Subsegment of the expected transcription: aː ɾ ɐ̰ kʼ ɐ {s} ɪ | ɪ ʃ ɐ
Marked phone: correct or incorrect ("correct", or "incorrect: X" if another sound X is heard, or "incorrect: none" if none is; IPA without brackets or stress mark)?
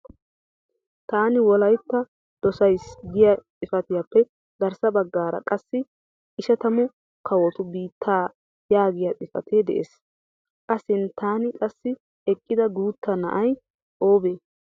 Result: incorrect: sː